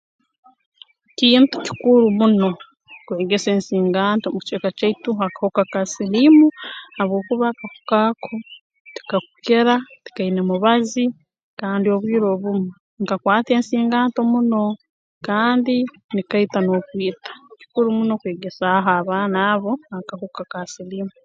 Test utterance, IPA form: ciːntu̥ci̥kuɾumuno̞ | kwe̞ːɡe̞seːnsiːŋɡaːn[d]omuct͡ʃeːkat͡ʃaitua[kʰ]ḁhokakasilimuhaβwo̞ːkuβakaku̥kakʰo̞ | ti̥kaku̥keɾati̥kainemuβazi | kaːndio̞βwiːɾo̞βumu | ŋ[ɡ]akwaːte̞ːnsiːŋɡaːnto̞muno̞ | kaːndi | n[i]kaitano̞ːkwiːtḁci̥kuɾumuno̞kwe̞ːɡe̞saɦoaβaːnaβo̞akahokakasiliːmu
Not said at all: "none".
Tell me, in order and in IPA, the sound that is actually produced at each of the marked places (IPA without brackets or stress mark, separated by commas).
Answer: t, k, k, i